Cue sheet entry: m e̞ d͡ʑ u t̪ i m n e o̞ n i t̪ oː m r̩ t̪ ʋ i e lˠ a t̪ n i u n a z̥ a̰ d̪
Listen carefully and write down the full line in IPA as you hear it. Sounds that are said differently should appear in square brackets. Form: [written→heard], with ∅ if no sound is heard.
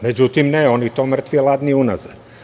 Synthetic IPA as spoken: m e̞ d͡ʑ u t̪ i m n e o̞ n i t̪ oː m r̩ t̪ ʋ i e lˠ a [t̪→d̪] n i u n a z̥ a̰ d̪